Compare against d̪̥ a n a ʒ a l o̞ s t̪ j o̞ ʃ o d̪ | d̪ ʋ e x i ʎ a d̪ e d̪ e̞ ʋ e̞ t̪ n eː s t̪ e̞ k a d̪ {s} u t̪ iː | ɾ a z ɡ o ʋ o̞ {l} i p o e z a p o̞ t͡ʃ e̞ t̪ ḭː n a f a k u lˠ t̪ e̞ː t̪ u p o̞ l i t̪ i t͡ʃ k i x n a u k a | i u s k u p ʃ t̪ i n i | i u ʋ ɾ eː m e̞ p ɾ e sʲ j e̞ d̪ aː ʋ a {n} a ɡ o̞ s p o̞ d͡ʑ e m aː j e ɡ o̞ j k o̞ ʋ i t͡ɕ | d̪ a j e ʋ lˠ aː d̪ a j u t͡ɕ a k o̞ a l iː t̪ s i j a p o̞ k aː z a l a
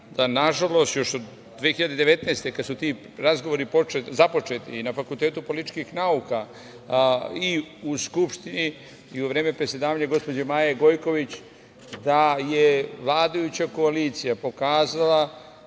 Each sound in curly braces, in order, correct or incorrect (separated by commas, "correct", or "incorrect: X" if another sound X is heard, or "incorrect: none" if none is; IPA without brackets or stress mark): correct, incorrect: ɾ, incorrect: ɲ